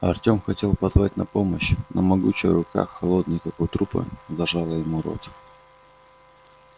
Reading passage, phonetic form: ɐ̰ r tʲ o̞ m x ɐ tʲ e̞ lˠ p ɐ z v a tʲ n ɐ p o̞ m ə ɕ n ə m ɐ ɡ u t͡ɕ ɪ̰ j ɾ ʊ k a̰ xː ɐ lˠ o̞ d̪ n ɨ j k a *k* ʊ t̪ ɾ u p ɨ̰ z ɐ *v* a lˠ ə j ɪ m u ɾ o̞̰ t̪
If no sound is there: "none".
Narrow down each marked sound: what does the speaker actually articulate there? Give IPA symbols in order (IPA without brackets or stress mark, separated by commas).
k, ʐ